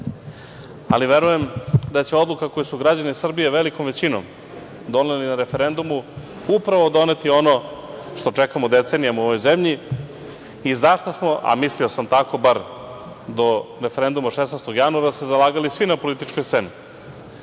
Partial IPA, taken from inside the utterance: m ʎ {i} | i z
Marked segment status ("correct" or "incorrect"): correct